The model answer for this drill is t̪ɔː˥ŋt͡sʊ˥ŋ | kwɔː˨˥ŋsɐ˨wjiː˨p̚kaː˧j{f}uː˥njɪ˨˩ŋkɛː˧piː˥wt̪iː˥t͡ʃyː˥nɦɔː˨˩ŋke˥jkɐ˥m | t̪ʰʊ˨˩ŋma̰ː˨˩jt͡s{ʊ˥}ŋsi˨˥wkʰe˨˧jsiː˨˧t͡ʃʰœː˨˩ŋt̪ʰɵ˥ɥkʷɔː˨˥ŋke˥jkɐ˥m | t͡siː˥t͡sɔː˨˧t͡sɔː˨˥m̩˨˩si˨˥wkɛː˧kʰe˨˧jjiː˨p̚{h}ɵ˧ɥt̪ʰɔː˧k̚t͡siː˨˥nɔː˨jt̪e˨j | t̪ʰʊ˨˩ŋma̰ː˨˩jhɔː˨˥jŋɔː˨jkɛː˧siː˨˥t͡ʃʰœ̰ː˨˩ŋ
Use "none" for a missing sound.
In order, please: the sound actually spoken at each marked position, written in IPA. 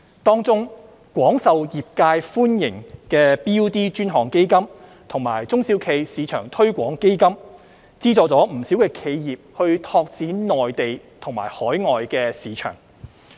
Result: f, ʊ˥, h

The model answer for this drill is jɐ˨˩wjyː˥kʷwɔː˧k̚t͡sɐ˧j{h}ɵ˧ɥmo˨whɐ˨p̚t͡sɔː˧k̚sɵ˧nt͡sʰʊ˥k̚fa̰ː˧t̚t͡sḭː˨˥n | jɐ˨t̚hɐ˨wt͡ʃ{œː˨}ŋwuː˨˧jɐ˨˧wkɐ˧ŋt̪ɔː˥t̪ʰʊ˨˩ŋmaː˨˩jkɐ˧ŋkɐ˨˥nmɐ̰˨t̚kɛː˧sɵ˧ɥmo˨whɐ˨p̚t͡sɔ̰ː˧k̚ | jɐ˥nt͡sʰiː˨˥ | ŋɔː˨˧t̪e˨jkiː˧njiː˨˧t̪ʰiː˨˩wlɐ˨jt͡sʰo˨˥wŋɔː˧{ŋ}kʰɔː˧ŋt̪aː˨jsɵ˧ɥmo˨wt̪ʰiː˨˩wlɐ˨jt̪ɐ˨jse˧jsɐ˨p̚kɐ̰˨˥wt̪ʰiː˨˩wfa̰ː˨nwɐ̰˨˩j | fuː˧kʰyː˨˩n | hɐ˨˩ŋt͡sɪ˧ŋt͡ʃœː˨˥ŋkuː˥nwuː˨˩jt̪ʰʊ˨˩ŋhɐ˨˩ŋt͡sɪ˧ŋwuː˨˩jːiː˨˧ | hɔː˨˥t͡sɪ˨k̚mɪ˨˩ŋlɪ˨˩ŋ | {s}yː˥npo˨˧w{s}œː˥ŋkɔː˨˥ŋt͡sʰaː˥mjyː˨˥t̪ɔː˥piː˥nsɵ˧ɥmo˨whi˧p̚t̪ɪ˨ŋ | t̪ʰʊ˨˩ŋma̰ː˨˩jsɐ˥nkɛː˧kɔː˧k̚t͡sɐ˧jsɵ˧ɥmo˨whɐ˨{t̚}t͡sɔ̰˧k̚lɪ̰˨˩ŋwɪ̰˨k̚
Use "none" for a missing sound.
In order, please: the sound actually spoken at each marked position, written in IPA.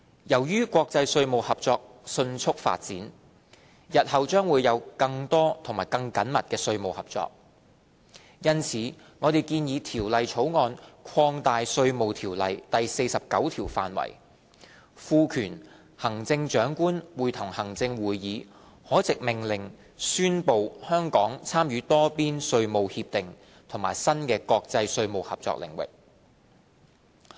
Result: s, œː˥, n, s, h, p̚

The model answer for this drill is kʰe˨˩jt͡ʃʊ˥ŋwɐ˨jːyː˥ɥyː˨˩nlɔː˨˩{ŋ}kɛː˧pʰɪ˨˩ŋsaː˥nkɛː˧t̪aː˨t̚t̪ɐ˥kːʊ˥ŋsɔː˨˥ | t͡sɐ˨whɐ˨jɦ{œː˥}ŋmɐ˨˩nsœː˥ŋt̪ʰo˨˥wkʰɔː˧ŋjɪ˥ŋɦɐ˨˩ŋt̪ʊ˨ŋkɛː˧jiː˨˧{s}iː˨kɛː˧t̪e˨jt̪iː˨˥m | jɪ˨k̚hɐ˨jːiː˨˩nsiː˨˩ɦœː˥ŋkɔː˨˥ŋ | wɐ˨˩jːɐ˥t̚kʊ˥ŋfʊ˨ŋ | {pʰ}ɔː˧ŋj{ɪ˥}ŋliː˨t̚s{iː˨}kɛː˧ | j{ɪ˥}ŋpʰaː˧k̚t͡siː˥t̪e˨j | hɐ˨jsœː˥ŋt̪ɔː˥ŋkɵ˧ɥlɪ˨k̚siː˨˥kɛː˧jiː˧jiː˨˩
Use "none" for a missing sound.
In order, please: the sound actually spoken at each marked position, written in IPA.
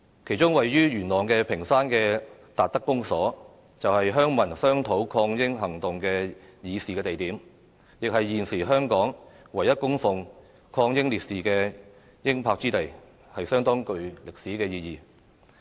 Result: ŋ, œː˥, s, kʰ, ɪ˥, iː˨, ɪ˥

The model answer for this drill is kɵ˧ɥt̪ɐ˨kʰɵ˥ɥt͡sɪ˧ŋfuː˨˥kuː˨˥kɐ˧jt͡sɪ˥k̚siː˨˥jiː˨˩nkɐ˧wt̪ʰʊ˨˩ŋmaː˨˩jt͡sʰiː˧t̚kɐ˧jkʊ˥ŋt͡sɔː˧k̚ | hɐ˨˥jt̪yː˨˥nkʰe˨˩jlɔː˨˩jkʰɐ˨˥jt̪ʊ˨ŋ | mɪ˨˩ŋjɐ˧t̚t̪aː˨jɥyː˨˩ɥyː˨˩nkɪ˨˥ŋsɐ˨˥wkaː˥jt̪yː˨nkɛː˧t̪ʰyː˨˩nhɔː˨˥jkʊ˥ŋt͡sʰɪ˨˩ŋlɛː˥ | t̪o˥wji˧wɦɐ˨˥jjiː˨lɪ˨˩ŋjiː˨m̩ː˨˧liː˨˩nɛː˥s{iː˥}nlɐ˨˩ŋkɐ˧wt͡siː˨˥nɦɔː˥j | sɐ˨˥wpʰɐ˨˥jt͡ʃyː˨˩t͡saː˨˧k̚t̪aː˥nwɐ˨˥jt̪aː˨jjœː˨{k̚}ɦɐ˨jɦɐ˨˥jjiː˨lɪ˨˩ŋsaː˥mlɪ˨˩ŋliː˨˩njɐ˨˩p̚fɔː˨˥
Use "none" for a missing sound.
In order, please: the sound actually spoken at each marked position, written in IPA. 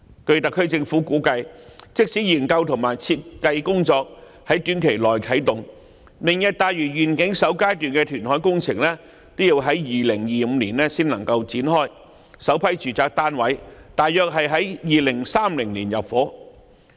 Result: iː˥, k̚

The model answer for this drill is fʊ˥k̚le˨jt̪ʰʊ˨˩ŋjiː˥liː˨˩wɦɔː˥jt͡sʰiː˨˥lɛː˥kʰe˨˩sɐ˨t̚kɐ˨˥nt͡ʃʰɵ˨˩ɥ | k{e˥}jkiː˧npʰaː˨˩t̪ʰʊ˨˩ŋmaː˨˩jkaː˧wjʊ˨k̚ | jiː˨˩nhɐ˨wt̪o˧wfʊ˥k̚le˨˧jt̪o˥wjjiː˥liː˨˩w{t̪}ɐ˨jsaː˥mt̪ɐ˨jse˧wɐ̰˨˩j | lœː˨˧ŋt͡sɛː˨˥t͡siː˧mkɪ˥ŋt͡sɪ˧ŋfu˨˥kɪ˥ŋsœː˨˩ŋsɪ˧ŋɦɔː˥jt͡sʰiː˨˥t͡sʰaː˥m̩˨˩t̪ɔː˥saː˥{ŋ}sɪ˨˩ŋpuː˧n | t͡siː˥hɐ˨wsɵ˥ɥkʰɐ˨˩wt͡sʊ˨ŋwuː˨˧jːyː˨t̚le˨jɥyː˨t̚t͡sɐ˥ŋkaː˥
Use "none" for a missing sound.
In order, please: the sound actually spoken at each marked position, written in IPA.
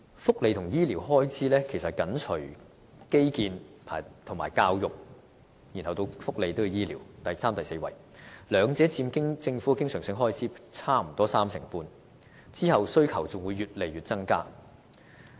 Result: e˥, t̪, m

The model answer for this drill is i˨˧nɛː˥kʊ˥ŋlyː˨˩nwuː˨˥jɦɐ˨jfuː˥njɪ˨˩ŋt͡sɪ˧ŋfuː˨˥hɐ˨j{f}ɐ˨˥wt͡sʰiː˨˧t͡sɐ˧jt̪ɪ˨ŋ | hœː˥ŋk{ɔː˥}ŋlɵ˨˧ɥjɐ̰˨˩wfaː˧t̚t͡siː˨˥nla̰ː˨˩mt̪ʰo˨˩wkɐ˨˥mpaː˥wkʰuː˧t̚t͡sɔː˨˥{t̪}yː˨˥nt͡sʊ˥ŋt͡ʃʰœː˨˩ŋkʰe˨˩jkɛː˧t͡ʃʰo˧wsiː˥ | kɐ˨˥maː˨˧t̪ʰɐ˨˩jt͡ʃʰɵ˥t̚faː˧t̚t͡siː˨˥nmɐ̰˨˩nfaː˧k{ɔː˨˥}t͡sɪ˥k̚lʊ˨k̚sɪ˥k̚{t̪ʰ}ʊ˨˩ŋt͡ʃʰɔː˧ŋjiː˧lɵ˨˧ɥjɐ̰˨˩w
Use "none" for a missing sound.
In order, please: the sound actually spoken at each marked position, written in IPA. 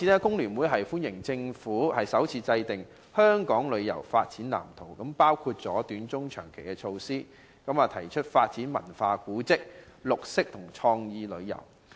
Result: s, ɔː˨˥, t̪, uː˨˥, t̪ʰ

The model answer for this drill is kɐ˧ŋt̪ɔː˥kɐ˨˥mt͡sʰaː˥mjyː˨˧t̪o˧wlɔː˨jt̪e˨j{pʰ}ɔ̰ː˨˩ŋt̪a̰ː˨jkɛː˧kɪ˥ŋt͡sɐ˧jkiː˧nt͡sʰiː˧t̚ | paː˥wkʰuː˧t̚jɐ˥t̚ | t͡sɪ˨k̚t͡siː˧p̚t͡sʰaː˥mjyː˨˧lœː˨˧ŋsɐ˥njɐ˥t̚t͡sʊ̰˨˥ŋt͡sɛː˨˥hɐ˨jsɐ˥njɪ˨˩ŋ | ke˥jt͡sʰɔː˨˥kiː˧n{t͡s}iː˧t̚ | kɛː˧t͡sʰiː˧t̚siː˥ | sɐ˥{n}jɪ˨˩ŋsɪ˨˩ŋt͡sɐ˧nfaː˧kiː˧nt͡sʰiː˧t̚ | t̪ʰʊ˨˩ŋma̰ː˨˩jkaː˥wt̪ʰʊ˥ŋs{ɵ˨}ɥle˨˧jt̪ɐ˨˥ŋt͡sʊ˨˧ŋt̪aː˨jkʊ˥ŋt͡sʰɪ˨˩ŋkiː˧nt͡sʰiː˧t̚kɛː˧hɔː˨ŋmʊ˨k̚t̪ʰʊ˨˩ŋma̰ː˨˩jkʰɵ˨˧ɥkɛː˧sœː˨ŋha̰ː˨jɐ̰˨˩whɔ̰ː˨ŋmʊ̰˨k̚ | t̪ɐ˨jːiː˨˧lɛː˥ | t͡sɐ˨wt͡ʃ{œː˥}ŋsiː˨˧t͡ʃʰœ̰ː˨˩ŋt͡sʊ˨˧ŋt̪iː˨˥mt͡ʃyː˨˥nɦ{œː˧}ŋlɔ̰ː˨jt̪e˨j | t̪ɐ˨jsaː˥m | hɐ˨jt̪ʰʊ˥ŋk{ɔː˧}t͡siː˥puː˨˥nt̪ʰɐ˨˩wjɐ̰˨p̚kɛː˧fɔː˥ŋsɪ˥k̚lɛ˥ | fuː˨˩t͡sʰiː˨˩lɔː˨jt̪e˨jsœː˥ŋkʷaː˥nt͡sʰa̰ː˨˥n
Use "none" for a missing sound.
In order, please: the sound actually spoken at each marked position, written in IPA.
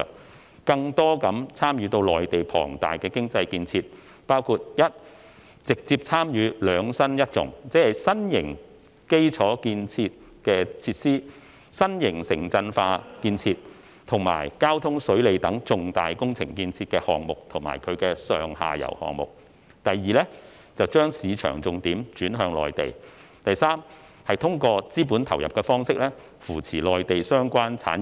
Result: pʰ, t͡sʰ, n, ɵ˨˥, œː˥, œː˧, ɔː˧

